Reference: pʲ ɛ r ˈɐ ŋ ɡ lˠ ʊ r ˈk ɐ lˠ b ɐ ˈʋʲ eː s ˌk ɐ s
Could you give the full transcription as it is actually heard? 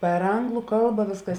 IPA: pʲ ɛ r ˈɐ ŋ ɡ lˠ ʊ ˈk ɐ lˠ b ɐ ˈʋʲ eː s ˌk ɐ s

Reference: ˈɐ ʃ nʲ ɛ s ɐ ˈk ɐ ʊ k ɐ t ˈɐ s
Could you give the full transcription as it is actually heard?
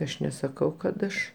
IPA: ˈɐ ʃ nʲ ɛ s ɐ ˈk ɐ ʊ k ɐ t ˈɐ ʃ

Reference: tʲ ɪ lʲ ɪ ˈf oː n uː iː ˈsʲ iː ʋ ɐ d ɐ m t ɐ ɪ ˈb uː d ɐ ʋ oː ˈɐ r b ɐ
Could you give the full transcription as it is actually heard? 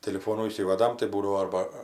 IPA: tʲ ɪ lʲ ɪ ˈf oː n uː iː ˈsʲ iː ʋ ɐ d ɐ m t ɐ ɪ ˈb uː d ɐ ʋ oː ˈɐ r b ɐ

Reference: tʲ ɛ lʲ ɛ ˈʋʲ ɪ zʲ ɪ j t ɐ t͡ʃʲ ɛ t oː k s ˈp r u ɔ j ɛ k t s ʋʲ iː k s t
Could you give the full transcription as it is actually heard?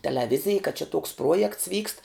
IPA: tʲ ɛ lʲ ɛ ˈʋʲ ɪ zʲ ɪ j k ɐ t͡ʃʲ ɛ t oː k s ˈp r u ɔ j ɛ k t s ʋʲ iː k s t

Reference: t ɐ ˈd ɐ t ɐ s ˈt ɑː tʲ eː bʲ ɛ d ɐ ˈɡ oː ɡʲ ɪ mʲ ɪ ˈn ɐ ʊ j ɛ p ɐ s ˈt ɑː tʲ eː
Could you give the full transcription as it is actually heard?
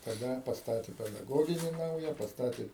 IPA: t ɐ ˈd ɐ p ɐ s ˈt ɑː tʲ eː pʲ ɛ d ɐ ˈɡ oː ɡʲ ɪ nʲ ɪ ˈn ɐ ʊ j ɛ p ɐ s ˈt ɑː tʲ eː

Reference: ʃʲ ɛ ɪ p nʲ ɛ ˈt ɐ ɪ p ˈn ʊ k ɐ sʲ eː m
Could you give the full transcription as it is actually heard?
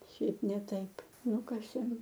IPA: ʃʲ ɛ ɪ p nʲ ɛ ˈt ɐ ɪ p ˈn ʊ k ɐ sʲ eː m

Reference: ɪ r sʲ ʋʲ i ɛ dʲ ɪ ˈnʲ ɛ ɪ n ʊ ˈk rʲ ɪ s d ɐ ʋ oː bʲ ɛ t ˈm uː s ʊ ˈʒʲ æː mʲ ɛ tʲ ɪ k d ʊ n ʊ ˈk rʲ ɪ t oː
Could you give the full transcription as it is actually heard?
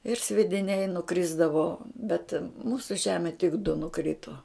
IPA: ɪ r sʲ ʋʲ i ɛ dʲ ɪ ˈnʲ ɛ ɪ n ʊ ˈk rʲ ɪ z d ɐ ʋ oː bʲ ɛ t ˈm uː s ʊ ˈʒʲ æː mʲ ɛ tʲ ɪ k d ʊ n ʊ ˈk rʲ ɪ t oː

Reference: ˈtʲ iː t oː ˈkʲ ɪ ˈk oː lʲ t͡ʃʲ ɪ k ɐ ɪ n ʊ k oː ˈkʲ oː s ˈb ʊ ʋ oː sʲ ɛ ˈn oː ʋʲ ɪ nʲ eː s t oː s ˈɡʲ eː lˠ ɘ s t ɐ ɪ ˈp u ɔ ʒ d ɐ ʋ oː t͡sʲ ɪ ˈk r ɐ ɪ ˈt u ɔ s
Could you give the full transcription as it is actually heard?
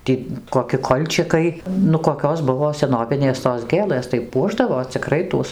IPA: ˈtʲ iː k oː ˈkʲ ɪ ˈk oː lʲ t͡ʃʲ ɪ k ɐ ɪ n ʊ k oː ˈkʲ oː s ˈb ʊ ʋ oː sʲ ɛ ˈn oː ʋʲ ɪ nʲ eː s t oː s ˈɡʲ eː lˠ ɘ s t ɐ ɪ ˈp u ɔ ʒ d ɐ ʋ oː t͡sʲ ɪ ˈk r ɐ ɪ ˈt u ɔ s

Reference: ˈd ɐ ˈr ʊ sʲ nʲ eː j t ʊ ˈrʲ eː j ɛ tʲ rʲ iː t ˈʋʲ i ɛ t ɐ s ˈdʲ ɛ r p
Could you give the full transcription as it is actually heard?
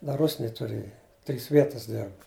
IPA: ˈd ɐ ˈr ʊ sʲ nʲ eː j t ʊ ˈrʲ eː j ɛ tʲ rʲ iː s ˈʋʲ i ɛ t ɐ s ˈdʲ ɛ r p

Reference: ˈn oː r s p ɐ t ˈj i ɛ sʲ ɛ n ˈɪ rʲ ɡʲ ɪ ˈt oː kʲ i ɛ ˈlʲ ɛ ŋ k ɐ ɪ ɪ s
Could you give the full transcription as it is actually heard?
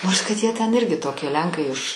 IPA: ˈn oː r s k ɐ t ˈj i ɛ tʲ ɛ n ˈɪ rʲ ɡʲ ɪ ˈt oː kʲ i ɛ ˈlʲ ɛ ŋ k ɐ ɪ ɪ ʃ

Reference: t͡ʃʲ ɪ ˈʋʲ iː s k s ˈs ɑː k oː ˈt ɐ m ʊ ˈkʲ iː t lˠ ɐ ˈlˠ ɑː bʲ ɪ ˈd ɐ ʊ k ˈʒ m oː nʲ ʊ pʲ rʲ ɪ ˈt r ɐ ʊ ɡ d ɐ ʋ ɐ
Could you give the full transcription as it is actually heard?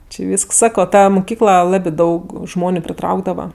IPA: t͡ʃʲ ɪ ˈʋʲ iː s k s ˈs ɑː k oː ˈt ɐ m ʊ ˈkʲ iː k lˠ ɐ ˈlˠ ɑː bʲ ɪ ˈd ɐ ʊ k ˈʒ m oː nʲ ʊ pʲ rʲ ɪ ˈt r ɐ ʊ ɡ d ɐ ʋ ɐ

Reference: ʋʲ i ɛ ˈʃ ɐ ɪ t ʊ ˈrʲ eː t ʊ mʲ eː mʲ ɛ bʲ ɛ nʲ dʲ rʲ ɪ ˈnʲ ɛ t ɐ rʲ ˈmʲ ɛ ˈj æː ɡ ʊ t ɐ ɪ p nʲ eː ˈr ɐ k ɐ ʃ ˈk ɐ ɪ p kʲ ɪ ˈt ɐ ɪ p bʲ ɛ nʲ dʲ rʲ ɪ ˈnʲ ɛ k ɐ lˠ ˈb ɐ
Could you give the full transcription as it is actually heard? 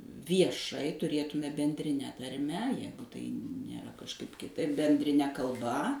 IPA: ʋʲ i ɛ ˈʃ ɐ ɪ t ʊ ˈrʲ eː t ʊ mʲ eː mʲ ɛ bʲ ɛ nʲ dʲ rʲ ɪ ˈnʲ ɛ t ɐ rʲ ˈmʲ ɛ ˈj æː ɡ ʊ t ɐ ɪ nʲ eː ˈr ɐ k ɐ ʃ ˈk ɐ ɪ p kʲ ɪ ˈt ɐ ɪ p bʲ ɛ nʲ dʲ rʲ ɪ ˈnʲ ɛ k ɐ lˠ ˈb ɐ

